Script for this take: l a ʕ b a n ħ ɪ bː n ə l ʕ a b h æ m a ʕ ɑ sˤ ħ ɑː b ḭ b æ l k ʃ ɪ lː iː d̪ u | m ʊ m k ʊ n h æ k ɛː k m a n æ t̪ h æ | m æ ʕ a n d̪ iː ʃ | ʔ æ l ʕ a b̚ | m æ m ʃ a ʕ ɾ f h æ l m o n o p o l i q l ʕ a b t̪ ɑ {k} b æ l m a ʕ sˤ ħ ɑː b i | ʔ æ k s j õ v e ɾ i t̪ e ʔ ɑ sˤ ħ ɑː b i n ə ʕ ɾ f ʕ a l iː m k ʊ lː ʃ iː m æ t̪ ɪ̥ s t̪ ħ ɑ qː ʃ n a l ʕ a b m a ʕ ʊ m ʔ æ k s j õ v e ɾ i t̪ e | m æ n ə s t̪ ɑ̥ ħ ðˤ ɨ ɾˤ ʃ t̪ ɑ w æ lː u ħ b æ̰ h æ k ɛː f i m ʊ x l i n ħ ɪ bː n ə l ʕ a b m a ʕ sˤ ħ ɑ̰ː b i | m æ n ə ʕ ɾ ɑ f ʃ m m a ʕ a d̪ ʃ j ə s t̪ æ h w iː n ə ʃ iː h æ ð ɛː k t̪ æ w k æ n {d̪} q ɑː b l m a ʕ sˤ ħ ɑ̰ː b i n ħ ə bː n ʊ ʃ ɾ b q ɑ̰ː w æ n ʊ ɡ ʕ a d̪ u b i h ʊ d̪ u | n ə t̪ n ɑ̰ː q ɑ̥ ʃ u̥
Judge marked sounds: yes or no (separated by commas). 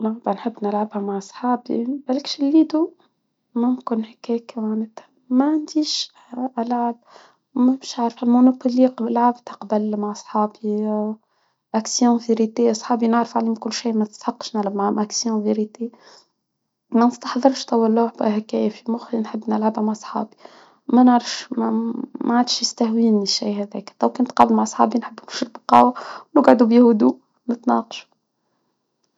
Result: no, no